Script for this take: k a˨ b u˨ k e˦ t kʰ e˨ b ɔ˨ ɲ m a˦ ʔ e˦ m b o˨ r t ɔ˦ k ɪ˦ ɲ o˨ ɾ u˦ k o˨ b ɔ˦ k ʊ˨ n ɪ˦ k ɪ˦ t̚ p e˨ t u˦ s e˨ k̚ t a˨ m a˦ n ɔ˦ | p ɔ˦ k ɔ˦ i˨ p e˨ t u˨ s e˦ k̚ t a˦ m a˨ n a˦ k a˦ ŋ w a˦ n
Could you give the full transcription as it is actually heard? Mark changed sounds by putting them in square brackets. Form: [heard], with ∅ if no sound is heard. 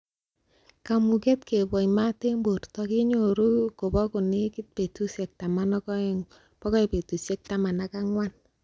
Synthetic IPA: k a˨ [m] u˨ k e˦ t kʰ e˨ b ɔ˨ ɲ m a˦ [t] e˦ m b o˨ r t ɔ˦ k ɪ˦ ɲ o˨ ɾ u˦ k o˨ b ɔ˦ k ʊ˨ n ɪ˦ k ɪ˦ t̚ p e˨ t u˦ s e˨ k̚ t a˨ m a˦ n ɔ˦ | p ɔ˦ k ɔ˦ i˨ p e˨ t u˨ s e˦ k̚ t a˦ m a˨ n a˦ k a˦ ŋ w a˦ n